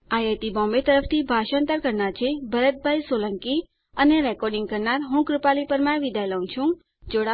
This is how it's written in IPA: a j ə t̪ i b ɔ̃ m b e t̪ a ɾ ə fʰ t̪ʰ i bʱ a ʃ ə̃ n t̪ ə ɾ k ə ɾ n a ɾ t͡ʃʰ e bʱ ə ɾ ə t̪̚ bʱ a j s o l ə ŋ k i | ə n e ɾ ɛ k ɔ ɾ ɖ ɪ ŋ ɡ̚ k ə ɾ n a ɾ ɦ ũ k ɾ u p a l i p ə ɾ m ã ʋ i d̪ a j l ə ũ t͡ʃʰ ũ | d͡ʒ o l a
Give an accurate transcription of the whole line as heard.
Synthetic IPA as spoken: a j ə t̪ i b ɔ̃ m b e t̪ ə ɾ ə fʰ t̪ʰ i bʱ a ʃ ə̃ n t̪ ə ɾ k ə ɾ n a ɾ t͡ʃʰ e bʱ ə ɾ ə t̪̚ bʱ a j s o l ə ŋ k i | ə n e ɾ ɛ k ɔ ɾ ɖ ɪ ŋ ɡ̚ k ə ɾ n a ɾ ɦ ũ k ɾ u p a l i p ə ɾ m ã ʋ i d̪ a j l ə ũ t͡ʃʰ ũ | d͡ʒ o ɽ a

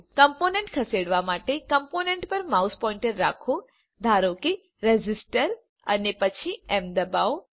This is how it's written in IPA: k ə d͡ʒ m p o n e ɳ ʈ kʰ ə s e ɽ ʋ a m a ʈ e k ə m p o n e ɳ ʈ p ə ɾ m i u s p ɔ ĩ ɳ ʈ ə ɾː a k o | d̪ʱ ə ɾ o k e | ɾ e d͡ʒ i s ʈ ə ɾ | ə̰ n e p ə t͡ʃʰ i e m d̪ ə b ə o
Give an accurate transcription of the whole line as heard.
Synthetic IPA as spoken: k ə m p o n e ɳ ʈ kʰ ə s e ɽ ʋ a m a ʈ e k ə m p o n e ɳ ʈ p ə ɾ m a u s p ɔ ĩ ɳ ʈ ə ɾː a kʰ o | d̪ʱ a ɾ o k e | ɾ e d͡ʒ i s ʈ ə ɾ | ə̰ n e p ə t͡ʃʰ i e m d̪ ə b a o

